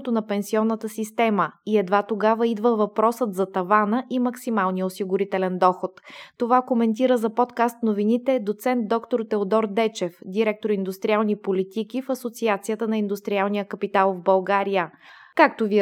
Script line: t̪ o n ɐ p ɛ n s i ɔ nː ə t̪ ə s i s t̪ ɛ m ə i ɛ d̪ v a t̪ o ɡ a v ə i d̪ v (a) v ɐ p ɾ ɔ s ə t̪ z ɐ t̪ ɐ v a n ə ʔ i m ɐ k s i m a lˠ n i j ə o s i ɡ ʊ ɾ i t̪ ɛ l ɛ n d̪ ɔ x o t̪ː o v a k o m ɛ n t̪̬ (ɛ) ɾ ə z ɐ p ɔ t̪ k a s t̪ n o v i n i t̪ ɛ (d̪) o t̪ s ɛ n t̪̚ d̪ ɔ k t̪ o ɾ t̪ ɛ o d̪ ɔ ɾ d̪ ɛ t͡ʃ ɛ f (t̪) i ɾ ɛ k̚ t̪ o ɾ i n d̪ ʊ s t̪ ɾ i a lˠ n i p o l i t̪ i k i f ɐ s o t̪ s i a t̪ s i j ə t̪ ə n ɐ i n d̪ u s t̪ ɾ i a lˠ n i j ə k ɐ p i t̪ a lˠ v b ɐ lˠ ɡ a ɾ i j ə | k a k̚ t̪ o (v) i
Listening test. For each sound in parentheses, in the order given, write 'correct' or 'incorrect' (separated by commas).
incorrect, incorrect, correct, incorrect, correct